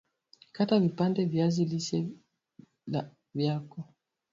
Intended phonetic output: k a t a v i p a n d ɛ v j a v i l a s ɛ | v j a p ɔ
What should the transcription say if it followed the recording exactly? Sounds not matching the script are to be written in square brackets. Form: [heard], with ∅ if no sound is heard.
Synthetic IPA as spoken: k a t a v i p a n d ɛ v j a [z] i l [i] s ɛ | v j a [k] ɔ